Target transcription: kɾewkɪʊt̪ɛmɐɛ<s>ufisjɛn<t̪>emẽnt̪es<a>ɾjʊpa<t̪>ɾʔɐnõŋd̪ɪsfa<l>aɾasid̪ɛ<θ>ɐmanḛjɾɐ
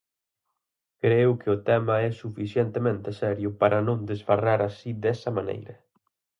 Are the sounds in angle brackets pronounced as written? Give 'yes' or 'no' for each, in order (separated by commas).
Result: yes, yes, no, no, no, no